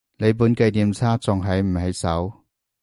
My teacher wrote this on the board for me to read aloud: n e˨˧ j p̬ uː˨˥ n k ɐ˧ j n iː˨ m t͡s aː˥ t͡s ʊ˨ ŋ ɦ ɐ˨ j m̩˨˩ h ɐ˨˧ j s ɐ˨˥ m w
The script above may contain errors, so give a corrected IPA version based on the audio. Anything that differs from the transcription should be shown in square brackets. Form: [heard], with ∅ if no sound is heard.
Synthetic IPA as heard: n e˨˧ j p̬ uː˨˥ n k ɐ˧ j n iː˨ m [t͡sʰ] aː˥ t͡s ʊ˨ ŋ ɦ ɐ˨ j m̩˨˩ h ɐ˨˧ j s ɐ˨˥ [∅] w